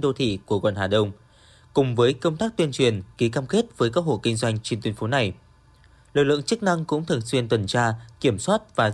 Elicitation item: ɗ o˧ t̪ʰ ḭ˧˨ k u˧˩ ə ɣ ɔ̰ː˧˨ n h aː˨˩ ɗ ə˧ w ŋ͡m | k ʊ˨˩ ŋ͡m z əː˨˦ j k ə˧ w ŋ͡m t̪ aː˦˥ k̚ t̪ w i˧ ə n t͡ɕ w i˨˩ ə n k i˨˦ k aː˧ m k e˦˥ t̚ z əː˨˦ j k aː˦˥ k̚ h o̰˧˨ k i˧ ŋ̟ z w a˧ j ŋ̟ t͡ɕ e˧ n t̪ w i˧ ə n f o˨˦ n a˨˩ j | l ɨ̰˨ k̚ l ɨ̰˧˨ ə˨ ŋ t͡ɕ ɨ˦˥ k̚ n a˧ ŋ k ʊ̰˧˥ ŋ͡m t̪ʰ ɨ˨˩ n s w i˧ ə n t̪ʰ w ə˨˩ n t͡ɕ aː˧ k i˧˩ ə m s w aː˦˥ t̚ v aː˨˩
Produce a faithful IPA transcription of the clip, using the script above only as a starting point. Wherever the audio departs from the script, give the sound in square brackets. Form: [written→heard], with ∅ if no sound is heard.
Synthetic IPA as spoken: ɗ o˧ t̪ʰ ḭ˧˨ k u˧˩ ə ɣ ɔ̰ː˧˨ n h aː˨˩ ɗ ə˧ w ŋ͡m | k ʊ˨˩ ŋ͡m [z→v] əː˨˦ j k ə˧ w ŋ͡m t̪ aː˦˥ k̚ t̪ w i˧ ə n t͡ɕ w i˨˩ ə n k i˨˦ k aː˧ m k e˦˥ t̚ [z→v] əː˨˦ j k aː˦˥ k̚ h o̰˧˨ k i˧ ŋ̟ z w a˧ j ŋ̟ t͡ɕ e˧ n t̪ w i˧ ə n f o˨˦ n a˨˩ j | l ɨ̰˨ k̚ l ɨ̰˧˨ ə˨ ŋ t͡ɕ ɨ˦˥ k̚ n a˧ ŋ k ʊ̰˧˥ ŋ͡m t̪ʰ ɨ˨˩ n s w i˧ ə n [t̪ʰ→t̪] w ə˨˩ n t͡ɕ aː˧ k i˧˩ ə m s w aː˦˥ t̚ v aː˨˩